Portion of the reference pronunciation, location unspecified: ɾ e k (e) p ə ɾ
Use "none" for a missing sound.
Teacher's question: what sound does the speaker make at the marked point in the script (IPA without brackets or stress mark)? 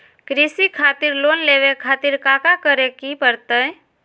i